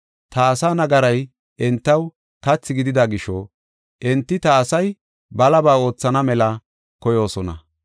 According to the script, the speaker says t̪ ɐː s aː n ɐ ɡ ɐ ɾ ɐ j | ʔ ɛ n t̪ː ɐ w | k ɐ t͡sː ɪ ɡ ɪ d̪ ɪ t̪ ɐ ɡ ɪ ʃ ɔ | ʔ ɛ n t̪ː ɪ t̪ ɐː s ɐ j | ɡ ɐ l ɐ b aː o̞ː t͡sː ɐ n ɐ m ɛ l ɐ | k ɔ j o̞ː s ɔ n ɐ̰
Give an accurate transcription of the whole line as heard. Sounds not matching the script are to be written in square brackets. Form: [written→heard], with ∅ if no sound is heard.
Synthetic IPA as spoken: t̪ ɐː s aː n ɐ ɡ ɐ ɾ ɐ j | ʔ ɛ n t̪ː ɐ w | k ɐ t͡sː ɪ ɡ ɪ d̪ ɪ [t̪→d̪] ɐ ɡ ɪ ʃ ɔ | ʔ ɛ n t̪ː ɪ t̪ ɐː s ɐ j | [ɡ→b] ɐ l ɐ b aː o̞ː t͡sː ɐ n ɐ m ɛ l ɐ | k ɔ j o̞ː s ɔ n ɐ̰